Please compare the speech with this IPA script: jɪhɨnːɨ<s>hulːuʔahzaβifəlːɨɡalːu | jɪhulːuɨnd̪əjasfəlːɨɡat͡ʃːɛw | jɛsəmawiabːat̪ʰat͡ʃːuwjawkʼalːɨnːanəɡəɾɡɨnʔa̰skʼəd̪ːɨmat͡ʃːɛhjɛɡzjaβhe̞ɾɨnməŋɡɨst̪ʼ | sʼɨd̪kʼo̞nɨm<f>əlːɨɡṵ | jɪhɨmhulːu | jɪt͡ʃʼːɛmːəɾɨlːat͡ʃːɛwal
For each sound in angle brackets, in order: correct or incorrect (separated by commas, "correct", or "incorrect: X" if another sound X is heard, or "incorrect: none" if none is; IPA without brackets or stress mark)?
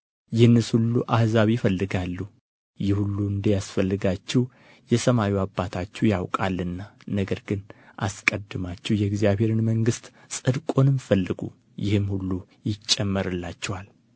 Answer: correct, correct